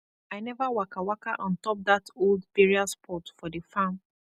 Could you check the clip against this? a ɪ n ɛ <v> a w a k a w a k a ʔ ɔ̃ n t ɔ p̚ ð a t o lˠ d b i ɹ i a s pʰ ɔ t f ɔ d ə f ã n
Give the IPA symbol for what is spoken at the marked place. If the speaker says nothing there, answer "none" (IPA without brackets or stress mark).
v